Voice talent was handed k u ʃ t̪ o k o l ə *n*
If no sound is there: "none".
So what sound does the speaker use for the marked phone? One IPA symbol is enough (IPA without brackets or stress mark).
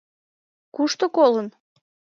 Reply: n